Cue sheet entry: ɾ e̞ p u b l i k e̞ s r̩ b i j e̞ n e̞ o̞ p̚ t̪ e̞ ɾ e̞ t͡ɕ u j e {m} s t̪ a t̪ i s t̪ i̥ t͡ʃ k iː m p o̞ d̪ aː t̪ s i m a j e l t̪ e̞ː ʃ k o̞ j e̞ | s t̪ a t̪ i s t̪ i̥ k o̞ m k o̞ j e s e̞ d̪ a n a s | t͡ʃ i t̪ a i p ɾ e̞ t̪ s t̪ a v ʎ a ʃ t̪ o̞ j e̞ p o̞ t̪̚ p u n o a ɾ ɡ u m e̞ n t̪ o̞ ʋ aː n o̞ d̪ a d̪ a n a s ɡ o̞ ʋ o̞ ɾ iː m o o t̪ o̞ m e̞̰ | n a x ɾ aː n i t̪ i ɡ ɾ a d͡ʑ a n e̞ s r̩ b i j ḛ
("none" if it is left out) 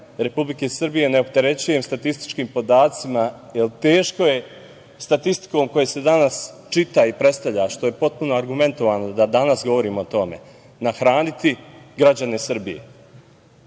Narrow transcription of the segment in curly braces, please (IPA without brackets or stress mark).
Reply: m